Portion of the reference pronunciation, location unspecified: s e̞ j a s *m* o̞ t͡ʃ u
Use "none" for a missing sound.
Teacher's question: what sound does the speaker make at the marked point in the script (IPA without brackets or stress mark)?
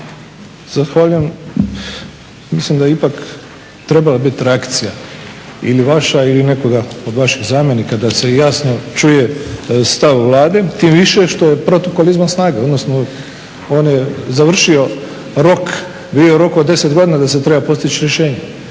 n